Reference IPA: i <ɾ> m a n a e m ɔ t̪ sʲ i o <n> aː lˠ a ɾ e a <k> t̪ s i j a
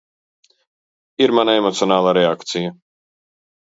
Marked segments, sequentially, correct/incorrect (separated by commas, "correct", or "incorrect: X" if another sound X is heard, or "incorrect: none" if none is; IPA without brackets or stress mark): correct, correct, correct